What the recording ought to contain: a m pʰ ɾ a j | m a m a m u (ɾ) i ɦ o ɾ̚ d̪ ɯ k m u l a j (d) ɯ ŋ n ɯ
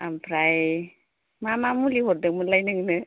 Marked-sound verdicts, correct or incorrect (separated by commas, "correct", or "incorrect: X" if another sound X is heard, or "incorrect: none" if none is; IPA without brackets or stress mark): incorrect: l, incorrect: n